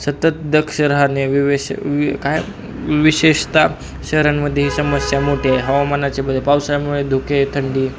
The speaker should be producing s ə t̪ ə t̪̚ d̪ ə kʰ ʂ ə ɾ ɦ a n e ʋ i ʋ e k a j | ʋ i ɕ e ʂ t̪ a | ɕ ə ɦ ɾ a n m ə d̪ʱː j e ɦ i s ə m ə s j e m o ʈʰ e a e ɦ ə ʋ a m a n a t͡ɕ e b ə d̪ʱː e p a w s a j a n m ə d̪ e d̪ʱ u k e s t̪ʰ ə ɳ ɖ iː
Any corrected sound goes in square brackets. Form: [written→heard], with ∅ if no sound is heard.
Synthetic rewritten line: s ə t̪ ə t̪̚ d̪ ə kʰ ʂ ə ɾ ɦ a n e ʋ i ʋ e k a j | ʋ i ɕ e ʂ t̪ a | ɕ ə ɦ ɾ a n m ə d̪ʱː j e ɦ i s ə m ə s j [e→a] m o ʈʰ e a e ɦ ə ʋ a m a n a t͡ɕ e b ə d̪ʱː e p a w s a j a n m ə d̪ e d̪ʱ u k e [s→∅] t̪ʰ ə ɳ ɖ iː